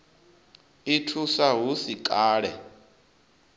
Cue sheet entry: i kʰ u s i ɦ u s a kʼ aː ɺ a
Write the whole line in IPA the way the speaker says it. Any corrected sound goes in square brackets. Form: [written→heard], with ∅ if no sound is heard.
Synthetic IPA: i [kʰ→tʰ] u s [i→a] ɦ u s [a→i] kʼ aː ɺ [a→ɛ]